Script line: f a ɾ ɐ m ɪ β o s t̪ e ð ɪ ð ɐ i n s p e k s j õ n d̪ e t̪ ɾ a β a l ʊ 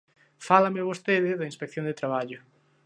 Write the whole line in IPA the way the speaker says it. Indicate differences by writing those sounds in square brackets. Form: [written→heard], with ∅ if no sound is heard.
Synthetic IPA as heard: f a [ɾ→l] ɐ m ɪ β o s t̪ e ð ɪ ð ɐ i n s p e k [s→θ] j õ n d̪ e t̪ ɾ a β a [l→ʎ] ʊ

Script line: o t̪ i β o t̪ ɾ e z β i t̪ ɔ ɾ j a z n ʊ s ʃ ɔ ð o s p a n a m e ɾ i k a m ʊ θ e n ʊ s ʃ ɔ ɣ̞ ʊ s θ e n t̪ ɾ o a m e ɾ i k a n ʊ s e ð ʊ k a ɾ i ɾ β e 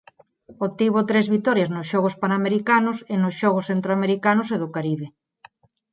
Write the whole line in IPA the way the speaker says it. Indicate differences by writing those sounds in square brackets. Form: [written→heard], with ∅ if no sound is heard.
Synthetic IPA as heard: o t̪ i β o t̪ ɾ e z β i t̪ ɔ ɾ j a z n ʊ s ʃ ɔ [ð→ɣ] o s p a n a m e ɾ i k a [m→n] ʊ [θ→s] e n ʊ s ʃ ɔ ɣ̞ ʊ s θ e n t̪ ɾ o a m e ɾ i k a n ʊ s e ð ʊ k a ɾ i [ɾ→∅] β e

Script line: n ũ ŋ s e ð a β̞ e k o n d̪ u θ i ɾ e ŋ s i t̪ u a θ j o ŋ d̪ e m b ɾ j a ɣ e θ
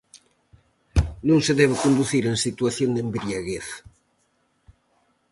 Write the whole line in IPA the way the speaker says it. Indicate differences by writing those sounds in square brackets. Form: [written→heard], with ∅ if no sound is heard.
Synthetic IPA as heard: n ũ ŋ s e ð [a→ɛ] β̞ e k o n d̪ u θ i ɾ e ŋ s i t̪ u a θ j o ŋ d̪ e m b ɾ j a ɣ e θ

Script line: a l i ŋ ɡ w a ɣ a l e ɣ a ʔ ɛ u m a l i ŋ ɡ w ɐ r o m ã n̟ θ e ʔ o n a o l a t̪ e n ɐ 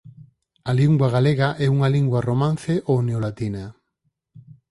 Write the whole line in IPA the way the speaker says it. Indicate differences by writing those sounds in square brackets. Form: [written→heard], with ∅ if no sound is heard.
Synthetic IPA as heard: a l i ŋ ɡ w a ɣ a l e ɣ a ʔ ɛ u [m→ŋ] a l i ŋ ɡ w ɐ r o m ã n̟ θ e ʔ o n [a→e] o l a t̪ [e→i] n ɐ

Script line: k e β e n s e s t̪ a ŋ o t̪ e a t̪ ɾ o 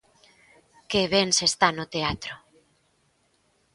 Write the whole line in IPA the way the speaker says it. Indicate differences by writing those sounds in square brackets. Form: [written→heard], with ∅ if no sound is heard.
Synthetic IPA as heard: k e β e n s e s t̪ a [ŋ→n] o t̪ e a t̪ ɾ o

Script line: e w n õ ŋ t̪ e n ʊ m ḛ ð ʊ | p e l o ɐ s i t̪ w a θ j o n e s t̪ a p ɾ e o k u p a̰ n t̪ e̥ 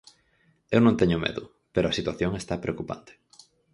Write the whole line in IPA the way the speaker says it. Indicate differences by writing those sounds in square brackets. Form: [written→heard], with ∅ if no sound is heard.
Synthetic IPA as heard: e w n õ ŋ t̪ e [n→ɲ] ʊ m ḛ ð ʊ | p e [l→ɾ] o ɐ s i t̪ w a θ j o [n→ŋ] e s t̪ a p ɾ e o k u p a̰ n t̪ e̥

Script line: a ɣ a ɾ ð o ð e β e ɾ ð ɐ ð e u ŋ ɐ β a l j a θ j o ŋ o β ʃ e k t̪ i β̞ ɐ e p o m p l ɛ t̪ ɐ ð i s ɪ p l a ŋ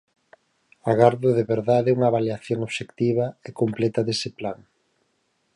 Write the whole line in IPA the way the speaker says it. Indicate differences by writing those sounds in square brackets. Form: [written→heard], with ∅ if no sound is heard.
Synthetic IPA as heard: a ɣ a ɾ ð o ð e β e ɾ ð [ɐ→a] ð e u ŋ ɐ β a l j a θ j o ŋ o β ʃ e k t̪ i β̞ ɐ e [p→k] o m p l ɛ t̪ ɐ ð [i→e] s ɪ p l a ŋ

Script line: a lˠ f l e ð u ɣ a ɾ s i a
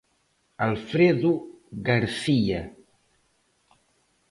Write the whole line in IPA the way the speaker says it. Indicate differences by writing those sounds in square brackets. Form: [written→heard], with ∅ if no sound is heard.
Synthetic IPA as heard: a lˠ f [l→ɾ] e ð u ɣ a ɾ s i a

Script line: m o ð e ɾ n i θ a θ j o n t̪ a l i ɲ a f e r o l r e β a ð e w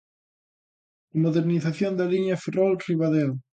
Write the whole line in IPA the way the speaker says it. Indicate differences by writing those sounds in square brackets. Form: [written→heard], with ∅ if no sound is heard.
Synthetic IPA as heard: m o ð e ɾ n i θ a θ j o n [t̪→d̪] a l i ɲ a f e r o l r [e→i] β a ð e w

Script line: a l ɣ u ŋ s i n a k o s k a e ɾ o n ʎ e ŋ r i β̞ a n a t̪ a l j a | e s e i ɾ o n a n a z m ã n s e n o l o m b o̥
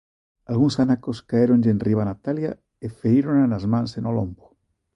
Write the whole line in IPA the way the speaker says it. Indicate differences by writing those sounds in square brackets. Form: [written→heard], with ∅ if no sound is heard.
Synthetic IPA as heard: a l ɣ u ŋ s [i→a] n a k o s k a e ɾ o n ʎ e [ŋ→n] r i β̞ a n a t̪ a l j a | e [s→f] e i ɾ o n a n a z m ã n s e n o l o m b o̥

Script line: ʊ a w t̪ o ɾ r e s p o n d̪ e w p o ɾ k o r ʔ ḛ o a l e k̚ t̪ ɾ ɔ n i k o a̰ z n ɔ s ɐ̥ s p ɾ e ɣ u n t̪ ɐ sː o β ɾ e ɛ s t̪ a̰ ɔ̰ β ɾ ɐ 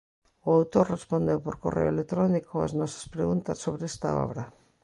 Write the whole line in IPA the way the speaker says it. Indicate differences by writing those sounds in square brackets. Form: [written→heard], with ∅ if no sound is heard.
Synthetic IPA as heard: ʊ a w t̪ o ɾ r e s p o n d̪ e w p o ɾ k o r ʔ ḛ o [a→e] l e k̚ t̪ ɾ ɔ n i k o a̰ z n ɔ s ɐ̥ s p ɾ e ɣ u n t̪ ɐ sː o β ɾ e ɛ s t̪ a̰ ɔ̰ β ɾ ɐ

